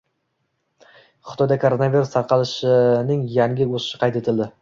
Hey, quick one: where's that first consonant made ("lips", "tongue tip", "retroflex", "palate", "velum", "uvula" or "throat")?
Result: uvula